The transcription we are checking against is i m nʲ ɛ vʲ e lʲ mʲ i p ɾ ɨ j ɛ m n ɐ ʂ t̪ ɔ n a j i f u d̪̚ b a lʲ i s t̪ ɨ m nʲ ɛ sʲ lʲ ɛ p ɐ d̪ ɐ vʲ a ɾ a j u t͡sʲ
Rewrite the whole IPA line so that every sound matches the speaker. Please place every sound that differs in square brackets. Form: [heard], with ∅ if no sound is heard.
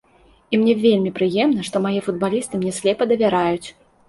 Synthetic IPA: i m nʲ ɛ vʲ e lʲ mʲ i p ɾ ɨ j ɛ m n ɐ ʂ t̪ ɔ [m] a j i f u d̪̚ b a lʲ i s t̪ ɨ m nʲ ɛ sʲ lʲ ɛ p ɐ d̪ ɐ vʲ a ɾ a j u t͡sʲ